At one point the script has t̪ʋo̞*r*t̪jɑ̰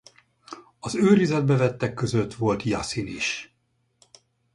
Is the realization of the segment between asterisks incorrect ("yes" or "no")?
yes